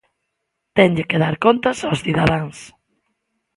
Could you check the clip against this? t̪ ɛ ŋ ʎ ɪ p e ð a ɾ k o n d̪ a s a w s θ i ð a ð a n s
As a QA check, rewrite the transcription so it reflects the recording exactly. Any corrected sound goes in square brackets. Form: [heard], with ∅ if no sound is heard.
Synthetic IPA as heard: t̪ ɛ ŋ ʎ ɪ [k] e ð a ɾ k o n [t̪] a s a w s θ i ð a ð a [ŋ] s